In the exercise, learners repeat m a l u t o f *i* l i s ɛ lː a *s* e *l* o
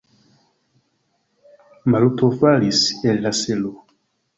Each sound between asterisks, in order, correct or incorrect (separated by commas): incorrect, correct, correct